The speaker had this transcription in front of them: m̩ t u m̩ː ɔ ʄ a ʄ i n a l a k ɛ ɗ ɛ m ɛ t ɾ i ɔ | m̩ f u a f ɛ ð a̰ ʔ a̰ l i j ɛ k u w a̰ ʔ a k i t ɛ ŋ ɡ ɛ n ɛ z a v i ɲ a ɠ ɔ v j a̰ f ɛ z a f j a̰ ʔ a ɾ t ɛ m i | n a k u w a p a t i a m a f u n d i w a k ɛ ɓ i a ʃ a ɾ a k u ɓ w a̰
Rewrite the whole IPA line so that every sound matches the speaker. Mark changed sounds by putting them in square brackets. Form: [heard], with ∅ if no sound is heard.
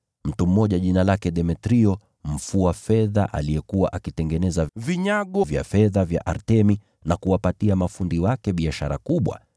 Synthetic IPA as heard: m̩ t u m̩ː ɔ ʄ a ʄ i n a l a k ɛ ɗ ɛ m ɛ t ɾ i ɔ | m̩ f u a f ɛ ð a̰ ʔ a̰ l i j ɛ k u w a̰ ʔ a k i t ɛ ŋ ɡ ɛ n ɛ z a v i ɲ a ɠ ɔ v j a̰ f ɛ [ð] a [v] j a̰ ʔ a ɾ t ɛ m i | n a k u w a p a t i a m a f u n d i w a k ɛ ɓ i a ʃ a ɾ a k u ɓ w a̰